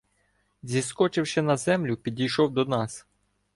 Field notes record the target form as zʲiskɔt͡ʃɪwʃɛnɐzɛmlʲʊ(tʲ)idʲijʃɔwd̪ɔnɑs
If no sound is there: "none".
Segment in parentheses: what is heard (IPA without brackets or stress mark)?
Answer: pʲ